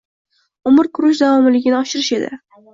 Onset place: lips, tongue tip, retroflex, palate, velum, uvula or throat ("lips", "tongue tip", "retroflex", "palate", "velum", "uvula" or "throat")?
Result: lips